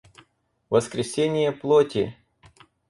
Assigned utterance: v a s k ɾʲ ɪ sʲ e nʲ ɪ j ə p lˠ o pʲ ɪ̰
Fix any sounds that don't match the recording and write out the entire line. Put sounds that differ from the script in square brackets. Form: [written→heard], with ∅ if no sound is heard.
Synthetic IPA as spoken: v [a→ə] s k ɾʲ ɪ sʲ e nʲ ɪ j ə p lˠ o [pʲ→tʲ] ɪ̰